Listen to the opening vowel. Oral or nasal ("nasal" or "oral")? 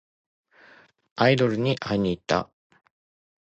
oral